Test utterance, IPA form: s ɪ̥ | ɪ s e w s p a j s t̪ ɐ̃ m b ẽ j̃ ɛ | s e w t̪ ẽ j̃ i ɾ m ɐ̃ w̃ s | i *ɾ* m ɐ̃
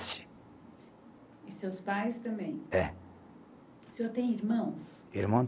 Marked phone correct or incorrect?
correct